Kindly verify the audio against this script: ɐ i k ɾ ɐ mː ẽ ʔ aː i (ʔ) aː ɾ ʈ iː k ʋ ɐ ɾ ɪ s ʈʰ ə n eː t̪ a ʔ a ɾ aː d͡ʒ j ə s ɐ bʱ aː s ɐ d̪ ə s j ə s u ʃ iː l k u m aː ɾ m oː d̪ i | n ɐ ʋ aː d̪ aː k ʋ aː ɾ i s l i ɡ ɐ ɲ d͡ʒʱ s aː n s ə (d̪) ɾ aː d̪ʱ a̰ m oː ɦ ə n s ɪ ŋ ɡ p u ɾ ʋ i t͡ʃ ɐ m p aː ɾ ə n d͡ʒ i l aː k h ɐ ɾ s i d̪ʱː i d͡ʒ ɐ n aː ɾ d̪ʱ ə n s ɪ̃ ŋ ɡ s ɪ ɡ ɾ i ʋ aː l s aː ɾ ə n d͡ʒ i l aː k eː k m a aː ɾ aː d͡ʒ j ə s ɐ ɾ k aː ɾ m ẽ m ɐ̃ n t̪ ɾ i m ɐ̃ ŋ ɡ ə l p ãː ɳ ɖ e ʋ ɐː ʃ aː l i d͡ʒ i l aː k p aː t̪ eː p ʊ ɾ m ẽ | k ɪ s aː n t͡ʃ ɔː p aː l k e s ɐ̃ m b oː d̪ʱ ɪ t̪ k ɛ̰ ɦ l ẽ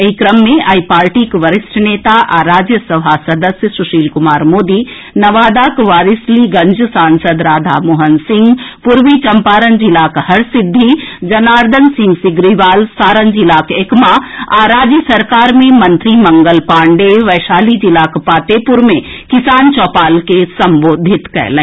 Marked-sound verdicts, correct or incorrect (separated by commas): incorrect, correct